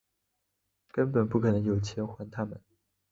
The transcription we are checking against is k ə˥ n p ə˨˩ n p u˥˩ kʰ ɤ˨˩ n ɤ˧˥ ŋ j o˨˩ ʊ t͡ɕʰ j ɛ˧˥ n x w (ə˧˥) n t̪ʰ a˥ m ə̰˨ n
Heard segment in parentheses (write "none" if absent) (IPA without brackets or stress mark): a˧˥